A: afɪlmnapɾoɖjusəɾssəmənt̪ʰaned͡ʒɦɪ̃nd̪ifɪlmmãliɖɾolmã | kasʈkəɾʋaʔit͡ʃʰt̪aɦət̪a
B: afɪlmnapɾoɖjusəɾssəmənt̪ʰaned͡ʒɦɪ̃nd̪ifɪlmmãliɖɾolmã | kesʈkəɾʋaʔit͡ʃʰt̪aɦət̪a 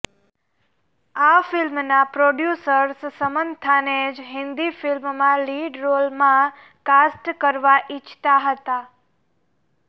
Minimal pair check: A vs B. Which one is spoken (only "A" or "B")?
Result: A